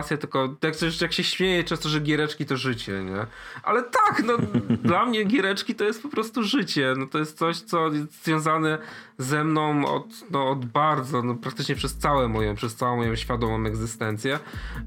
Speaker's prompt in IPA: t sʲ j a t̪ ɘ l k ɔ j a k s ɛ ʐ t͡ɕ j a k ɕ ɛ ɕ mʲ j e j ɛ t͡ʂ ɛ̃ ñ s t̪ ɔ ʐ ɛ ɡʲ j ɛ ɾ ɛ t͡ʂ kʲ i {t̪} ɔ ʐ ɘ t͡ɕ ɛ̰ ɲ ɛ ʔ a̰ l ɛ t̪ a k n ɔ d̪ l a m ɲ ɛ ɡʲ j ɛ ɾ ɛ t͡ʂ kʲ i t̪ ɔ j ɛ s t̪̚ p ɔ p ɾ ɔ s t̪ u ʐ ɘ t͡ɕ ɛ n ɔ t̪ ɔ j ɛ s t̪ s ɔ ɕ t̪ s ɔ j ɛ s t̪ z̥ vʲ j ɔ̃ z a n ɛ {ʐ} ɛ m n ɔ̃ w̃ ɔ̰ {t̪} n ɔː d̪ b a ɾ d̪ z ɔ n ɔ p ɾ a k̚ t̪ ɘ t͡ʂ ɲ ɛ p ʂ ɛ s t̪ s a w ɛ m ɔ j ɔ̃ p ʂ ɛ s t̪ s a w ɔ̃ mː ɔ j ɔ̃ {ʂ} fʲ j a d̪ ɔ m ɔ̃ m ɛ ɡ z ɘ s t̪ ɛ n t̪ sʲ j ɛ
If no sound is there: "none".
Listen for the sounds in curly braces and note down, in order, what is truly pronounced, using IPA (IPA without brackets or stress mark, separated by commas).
t̪, z, t̪, ɕ